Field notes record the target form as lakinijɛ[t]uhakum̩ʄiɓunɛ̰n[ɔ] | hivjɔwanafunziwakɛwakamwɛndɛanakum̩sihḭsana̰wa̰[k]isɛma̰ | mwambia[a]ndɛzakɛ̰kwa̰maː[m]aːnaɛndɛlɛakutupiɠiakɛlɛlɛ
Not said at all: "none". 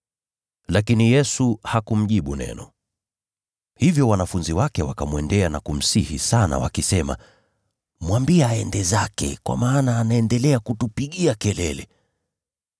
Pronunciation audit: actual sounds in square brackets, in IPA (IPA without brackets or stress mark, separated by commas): s, ɔ, k, ɛ, n